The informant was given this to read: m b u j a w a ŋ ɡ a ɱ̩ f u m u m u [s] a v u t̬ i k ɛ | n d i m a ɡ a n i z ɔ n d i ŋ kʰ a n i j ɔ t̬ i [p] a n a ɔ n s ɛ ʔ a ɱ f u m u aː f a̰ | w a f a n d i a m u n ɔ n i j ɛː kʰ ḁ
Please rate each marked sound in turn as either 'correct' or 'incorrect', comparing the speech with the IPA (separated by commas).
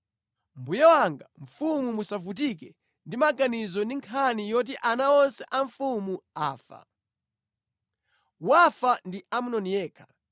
correct, incorrect